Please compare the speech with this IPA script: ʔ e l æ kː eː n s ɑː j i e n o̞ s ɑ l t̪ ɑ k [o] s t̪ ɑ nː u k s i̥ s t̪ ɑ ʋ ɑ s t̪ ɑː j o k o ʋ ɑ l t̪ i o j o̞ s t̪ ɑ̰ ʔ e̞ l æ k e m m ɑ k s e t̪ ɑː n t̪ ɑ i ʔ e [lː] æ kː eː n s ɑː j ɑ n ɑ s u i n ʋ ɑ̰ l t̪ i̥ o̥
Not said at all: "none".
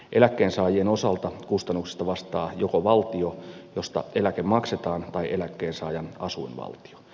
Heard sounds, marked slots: u, l

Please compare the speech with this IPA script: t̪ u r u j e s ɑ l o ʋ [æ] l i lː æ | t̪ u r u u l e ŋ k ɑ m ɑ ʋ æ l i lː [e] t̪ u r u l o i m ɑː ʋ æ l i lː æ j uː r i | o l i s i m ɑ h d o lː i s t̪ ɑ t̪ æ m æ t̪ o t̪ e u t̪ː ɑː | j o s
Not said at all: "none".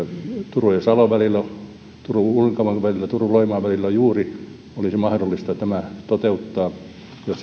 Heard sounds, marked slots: æ, æ

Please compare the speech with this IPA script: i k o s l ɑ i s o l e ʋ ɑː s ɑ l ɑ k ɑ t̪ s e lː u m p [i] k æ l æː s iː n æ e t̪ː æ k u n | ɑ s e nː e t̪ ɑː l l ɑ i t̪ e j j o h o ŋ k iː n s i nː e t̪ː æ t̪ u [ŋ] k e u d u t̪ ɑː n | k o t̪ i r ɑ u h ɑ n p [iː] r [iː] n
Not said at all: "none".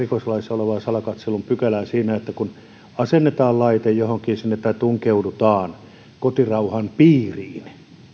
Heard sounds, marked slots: y, ŋ, iː, iː

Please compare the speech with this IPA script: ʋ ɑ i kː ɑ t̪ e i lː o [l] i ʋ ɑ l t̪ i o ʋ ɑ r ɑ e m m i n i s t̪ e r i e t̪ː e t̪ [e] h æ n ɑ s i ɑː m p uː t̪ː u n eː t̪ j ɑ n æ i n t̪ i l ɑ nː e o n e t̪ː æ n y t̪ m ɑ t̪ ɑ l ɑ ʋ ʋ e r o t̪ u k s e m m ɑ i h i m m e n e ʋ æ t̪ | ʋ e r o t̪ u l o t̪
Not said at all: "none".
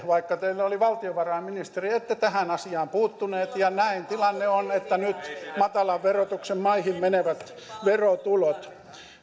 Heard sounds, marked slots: l, æ

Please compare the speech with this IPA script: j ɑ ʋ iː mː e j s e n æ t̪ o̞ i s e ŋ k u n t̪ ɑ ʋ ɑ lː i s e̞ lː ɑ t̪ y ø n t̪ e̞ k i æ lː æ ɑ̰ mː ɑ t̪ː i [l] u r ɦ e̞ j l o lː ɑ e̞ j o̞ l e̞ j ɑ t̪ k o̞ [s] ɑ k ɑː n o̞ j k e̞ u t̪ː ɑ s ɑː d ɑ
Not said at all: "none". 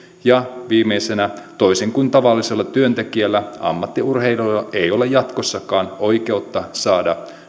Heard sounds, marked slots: none, sː

